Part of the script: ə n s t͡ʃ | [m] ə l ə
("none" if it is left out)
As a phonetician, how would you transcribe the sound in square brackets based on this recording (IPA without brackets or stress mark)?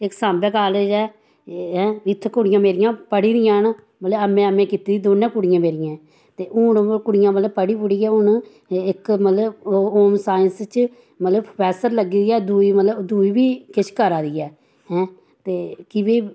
m